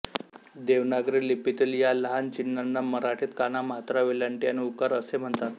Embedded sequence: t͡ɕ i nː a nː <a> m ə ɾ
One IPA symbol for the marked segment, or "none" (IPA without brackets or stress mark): a